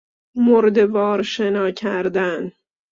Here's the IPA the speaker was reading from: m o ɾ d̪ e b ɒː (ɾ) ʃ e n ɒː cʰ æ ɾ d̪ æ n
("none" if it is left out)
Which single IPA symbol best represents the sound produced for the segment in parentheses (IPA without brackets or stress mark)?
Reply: ɾ